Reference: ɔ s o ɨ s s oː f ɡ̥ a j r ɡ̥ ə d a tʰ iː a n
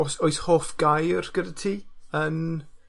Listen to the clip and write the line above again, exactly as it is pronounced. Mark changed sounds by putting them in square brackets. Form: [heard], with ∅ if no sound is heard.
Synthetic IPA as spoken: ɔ s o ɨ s [h] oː f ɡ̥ a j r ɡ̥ ə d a tʰ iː [ə] n